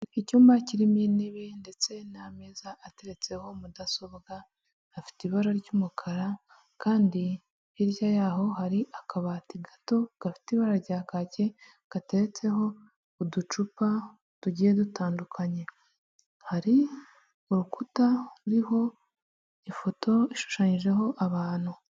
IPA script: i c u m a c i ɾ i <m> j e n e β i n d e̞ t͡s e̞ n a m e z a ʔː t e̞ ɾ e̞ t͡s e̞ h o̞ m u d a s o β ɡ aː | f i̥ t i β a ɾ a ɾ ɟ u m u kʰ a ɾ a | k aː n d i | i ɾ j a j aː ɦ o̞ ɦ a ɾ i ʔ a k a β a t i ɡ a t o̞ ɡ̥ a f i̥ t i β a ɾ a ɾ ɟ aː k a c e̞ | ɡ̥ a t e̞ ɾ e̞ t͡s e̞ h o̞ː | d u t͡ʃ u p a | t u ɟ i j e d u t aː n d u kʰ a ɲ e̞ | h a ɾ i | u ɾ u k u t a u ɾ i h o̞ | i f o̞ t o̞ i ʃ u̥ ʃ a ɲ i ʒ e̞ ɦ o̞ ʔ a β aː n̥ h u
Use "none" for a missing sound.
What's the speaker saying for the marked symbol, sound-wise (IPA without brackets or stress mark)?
m